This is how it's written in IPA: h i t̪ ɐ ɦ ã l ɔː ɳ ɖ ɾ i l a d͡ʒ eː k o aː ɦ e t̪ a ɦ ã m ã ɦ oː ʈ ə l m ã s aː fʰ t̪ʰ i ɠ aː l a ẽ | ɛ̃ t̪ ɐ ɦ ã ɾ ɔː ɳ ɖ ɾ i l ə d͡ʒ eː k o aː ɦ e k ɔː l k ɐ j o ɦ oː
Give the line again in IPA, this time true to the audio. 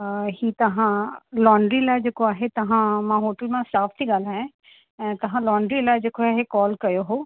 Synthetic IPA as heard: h i t̪ ɐ ɦ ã l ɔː ɳ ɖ ɾ i l a d͡ʒ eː k o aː ɦ e t̪ ɐ ɦ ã m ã ɦ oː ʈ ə l m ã s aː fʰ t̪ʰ i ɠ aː l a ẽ | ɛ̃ t̪ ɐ ɦ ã l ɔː ɳ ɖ ɾ i l a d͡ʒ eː k o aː ɦ e k ɔː l k ɐ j o ɦ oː